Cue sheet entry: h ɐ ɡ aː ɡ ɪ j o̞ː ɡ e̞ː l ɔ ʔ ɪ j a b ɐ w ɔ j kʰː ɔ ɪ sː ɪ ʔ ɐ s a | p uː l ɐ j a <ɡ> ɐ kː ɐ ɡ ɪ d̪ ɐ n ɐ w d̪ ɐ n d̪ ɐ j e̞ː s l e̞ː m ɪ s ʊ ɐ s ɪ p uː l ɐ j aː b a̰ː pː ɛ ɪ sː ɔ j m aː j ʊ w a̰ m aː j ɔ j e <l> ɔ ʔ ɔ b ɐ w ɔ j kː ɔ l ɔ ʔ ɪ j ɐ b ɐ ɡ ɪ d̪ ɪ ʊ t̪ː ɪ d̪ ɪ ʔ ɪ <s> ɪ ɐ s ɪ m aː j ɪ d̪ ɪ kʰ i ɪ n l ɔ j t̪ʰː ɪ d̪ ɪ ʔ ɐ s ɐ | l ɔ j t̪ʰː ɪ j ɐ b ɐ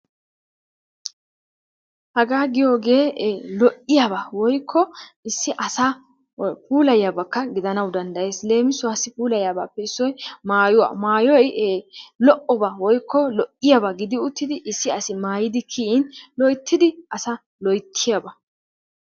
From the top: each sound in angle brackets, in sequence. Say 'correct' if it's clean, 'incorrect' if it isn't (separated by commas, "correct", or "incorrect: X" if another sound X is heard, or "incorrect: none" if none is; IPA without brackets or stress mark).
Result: incorrect: b, correct, incorrect: sː